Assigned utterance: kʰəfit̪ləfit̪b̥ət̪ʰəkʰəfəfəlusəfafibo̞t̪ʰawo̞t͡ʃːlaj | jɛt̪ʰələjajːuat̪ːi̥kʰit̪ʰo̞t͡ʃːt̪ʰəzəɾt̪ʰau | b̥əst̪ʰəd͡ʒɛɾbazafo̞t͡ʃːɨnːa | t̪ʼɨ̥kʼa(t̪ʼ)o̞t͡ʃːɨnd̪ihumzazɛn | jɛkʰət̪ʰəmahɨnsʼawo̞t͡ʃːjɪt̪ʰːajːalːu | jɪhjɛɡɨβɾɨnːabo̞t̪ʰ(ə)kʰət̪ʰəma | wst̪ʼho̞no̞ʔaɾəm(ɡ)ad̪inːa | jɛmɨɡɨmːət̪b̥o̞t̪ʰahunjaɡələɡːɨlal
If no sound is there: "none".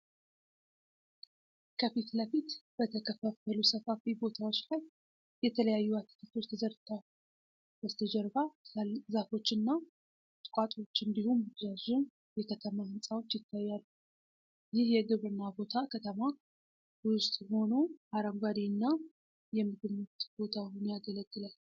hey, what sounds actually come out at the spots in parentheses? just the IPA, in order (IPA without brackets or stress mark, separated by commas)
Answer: t̪ʼ, a, ɡ